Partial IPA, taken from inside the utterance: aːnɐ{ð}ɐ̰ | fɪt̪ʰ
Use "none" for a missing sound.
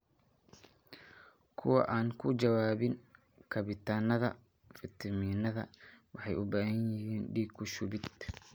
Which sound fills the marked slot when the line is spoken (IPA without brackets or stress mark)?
ð